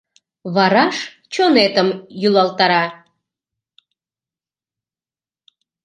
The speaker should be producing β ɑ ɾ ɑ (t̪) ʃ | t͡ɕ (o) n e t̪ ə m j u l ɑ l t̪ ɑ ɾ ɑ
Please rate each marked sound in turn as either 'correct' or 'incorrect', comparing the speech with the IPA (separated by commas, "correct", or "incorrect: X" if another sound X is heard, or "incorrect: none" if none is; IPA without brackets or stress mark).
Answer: incorrect: none, correct